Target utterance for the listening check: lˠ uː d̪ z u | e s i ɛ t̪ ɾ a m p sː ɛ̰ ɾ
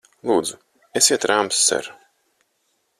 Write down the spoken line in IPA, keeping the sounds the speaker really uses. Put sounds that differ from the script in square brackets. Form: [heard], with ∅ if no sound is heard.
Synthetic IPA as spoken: lˠ uː d̪ z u | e s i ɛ t̪ ɾ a m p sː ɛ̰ ɾ